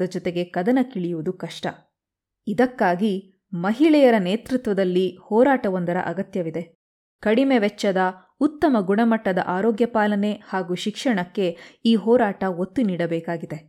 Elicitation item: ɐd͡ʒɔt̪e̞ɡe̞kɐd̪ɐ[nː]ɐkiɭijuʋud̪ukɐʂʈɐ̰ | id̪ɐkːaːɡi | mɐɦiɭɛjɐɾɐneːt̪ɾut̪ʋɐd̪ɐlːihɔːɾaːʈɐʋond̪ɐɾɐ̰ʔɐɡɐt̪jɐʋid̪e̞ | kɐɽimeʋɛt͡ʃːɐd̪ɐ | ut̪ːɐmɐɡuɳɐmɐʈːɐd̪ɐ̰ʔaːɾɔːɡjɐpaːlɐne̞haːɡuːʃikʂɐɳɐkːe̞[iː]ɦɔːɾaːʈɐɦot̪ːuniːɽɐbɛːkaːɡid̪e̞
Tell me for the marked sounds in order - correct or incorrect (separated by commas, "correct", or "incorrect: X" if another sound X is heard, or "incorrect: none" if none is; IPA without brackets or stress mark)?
incorrect: n, correct